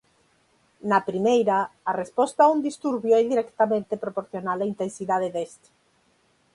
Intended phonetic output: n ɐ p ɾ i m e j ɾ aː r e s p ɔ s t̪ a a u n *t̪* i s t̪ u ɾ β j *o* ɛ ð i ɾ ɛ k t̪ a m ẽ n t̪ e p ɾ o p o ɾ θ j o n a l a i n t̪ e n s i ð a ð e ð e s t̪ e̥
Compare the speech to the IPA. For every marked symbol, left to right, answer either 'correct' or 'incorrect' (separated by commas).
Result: incorrect, correct